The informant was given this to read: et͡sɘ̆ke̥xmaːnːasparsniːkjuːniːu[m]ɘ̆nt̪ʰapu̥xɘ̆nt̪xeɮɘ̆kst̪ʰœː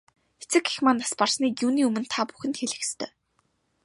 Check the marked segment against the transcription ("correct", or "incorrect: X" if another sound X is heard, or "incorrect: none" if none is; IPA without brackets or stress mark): correct